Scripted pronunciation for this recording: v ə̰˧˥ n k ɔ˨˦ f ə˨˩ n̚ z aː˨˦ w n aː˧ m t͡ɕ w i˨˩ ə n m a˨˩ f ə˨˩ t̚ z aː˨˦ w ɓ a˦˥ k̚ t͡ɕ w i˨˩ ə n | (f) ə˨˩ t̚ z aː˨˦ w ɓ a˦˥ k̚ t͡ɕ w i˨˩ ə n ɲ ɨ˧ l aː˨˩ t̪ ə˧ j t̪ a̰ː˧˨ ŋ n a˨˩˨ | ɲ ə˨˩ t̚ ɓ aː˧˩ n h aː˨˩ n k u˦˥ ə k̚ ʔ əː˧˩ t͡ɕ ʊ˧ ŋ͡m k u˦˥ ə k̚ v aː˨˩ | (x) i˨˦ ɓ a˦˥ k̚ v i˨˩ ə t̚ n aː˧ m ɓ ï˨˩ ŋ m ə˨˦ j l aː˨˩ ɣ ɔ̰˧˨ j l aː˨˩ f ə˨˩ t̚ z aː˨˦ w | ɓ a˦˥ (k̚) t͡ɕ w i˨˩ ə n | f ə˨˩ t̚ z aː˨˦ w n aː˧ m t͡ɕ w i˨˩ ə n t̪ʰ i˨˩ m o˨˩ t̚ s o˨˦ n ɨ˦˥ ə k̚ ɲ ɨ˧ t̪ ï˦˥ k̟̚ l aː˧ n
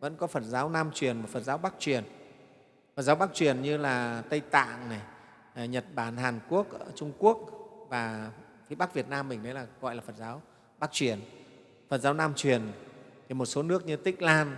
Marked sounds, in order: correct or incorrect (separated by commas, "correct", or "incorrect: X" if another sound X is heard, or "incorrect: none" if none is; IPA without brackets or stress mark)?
correct, incorrect: f, correct